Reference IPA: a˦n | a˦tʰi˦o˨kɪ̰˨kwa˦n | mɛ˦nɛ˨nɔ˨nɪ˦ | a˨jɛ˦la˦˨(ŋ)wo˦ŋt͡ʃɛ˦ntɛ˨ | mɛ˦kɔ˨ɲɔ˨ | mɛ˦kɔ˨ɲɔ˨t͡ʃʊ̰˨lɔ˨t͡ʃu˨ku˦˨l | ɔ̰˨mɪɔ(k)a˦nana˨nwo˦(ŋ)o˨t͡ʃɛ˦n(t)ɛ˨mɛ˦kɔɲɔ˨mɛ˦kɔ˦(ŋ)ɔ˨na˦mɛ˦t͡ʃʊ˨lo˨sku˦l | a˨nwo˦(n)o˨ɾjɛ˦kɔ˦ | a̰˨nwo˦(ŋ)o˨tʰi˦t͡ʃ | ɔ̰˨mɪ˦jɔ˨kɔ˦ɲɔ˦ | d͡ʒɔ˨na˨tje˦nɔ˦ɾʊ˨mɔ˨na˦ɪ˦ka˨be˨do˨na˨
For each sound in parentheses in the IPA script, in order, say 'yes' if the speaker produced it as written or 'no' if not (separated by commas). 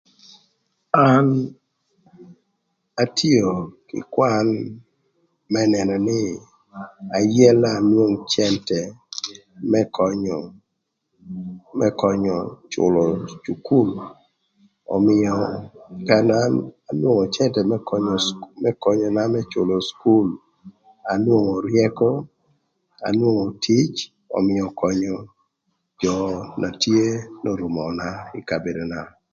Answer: no, yes, yes, yes, no, no, yes